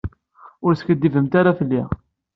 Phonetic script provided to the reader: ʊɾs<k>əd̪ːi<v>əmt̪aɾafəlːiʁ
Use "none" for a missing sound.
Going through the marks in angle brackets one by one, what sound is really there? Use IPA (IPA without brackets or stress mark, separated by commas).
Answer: k, v